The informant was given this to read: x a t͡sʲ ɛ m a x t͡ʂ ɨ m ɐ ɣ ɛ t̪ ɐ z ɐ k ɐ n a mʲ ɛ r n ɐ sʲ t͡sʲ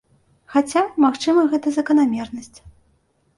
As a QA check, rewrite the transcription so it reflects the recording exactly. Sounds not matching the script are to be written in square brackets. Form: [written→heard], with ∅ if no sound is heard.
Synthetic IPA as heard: x a t͡sʲ [ɛ→a] m a x t͡ʂ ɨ m ɐ ɣ ɛ t̪ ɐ z ɐ k ɐ n a mʲ ɛ r n ɐ sʲ t͡sʲ